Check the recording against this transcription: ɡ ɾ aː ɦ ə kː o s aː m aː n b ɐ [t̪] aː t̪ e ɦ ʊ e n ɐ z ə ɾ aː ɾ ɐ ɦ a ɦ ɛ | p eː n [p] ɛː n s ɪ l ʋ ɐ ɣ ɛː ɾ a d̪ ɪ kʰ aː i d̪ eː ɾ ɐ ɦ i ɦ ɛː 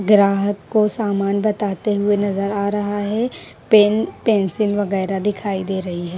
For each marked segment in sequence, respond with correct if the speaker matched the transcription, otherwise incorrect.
correct, correct

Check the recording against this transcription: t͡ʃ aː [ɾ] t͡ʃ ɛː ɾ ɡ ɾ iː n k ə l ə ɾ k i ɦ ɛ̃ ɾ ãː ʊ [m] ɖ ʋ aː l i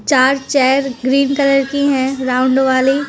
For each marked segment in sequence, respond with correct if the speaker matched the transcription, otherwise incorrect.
correct, incorrect: ɳ

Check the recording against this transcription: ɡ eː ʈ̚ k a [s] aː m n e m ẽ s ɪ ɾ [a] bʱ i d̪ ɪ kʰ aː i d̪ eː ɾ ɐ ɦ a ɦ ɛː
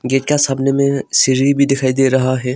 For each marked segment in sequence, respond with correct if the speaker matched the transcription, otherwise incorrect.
correct, incorrect: i

